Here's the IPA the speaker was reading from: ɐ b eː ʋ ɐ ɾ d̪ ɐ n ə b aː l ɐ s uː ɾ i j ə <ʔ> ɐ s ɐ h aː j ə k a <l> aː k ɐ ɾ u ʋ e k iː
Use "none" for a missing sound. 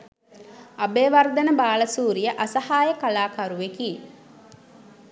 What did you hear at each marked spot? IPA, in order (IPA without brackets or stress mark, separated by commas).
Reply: ʔ, l